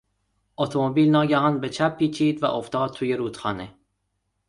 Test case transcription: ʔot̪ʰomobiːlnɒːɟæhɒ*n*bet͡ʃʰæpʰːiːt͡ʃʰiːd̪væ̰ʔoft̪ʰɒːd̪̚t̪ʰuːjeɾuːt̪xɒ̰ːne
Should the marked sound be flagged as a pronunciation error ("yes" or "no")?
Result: no